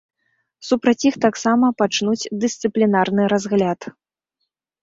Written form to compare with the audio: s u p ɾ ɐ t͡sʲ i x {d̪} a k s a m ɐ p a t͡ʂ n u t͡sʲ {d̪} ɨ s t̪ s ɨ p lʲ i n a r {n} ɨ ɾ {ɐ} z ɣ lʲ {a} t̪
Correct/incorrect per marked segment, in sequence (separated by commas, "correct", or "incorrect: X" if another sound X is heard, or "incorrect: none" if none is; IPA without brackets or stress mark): incorrect: t̪, correct, correct, incorrect: a, correct